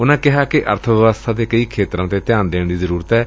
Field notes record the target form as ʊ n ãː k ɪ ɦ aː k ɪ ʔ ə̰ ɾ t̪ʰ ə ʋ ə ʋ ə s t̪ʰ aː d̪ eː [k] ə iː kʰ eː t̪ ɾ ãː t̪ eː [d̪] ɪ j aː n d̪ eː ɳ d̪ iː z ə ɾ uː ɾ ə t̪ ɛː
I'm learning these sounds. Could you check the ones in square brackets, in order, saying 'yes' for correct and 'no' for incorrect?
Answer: yes, no

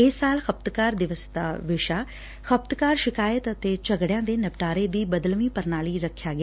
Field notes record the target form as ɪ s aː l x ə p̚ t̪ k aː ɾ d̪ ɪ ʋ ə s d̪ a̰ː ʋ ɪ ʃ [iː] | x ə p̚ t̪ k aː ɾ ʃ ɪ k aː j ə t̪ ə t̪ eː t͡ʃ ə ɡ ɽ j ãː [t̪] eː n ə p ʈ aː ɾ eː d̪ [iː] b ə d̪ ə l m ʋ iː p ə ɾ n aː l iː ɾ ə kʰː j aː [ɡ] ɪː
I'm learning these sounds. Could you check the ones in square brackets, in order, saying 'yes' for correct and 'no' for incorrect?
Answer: no, no, yes, yes

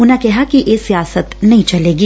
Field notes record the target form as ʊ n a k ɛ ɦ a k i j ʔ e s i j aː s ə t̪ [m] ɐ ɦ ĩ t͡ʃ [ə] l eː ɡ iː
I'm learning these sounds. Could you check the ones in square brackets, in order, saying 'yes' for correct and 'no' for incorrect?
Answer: no, no

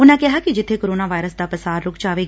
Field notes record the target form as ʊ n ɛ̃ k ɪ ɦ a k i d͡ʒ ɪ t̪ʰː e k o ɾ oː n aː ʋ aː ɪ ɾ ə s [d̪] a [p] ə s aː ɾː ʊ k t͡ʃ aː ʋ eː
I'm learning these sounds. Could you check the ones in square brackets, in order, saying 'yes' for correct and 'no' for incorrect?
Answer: yes, yes

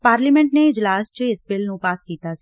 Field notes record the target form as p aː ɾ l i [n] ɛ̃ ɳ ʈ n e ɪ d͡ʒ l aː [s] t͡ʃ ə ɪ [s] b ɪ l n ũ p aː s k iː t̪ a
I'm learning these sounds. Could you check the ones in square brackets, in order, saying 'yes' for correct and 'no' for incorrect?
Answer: no, yes, yes

